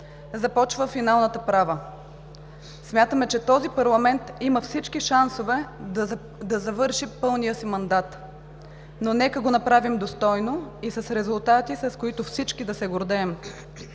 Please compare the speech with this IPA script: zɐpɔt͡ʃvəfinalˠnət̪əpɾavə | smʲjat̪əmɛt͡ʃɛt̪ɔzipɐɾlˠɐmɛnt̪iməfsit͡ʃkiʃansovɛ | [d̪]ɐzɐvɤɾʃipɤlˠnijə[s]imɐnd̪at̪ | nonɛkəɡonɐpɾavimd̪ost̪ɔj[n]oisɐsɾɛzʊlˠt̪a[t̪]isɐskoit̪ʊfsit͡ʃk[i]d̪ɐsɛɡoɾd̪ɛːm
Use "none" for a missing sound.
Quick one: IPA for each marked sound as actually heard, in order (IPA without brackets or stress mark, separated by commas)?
d̪, s, n, t̪, i